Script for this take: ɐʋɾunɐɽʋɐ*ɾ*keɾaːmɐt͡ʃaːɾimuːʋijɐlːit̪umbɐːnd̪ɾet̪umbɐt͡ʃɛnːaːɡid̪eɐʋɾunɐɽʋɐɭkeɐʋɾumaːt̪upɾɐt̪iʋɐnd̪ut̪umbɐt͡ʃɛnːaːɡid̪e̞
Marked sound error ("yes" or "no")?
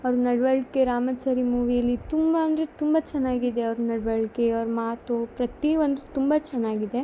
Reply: yes